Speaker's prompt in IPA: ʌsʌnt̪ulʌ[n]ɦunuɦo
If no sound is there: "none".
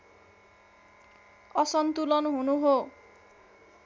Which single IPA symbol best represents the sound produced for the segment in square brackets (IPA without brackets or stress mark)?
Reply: n